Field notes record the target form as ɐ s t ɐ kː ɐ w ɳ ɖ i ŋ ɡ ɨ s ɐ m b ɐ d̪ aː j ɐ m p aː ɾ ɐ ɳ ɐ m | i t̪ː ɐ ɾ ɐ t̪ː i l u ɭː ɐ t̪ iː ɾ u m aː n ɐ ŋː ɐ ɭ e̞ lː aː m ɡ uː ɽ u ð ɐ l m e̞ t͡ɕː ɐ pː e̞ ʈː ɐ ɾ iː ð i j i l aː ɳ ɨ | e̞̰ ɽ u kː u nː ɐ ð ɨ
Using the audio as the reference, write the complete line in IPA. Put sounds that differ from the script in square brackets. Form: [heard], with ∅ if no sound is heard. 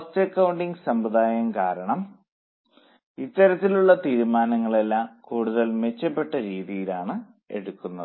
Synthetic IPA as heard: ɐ s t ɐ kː ɐ w ɳ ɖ i ŋ ɡ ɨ s ɐ m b ɐ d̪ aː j ɐ m [k] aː ɾ ɐ ɳ ɐ m | i t̪ː ɐ ɾ ɐ t̪ː i l u ɭː ɐ t̪ iː ɾ u m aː n ɐ ŋː ɐ ɭ e̞ lː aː m [k] uː ɽ u ð ɐ l m e̞ t͡ɕː ɐ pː e̞ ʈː ɐ ɾ iː ð i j i l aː ɳ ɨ | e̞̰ ɽ u kː u nː ɐ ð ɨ